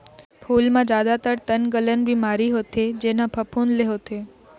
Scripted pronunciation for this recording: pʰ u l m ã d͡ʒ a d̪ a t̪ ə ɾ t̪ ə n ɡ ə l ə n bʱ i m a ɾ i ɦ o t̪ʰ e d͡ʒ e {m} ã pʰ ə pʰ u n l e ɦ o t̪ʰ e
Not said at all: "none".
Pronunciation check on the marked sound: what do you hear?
n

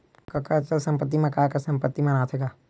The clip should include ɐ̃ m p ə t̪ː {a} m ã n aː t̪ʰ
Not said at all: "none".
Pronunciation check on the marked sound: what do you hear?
i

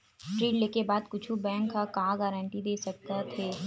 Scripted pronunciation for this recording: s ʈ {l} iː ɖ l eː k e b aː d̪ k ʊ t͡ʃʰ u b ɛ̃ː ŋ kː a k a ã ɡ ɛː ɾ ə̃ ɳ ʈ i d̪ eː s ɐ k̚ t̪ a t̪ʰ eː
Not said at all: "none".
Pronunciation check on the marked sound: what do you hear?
ɾ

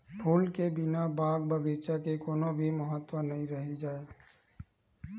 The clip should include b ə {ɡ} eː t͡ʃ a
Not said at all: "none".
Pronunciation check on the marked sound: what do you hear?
ɡ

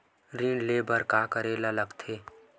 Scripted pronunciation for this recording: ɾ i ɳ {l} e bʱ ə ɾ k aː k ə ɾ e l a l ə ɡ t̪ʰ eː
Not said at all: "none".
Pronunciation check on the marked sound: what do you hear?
l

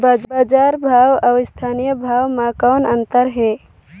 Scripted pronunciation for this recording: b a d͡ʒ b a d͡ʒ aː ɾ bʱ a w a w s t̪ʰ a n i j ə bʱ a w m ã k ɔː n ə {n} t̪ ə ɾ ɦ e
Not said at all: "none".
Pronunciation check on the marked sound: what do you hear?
n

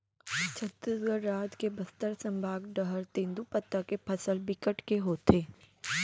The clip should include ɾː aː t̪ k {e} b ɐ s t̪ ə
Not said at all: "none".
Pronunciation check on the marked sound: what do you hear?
e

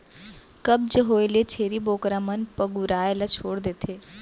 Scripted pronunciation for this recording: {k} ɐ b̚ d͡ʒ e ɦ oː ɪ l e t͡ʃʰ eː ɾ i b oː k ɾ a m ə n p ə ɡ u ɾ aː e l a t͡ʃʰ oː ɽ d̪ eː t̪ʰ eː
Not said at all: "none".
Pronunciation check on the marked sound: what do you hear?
k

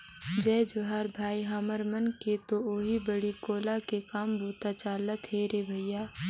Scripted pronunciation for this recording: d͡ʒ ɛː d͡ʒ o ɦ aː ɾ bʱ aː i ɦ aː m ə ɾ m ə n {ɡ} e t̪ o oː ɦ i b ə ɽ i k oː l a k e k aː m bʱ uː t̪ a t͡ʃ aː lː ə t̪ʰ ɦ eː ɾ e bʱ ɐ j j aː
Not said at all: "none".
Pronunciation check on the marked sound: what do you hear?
k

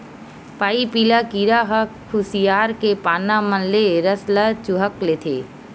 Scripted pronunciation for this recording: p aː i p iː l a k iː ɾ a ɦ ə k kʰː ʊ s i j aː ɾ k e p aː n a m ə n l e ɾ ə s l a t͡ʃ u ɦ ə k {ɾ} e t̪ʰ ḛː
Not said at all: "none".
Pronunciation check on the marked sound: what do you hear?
l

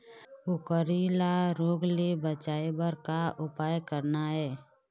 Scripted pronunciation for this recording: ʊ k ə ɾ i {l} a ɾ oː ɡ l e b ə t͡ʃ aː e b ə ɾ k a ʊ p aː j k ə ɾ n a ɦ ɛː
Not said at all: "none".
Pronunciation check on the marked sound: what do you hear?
l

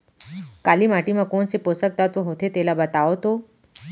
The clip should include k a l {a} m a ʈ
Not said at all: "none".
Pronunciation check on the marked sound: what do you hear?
i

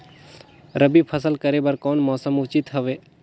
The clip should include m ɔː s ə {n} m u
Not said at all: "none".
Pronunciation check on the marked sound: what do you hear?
none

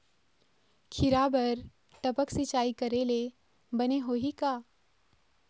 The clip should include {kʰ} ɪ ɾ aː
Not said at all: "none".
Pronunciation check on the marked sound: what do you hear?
kʰ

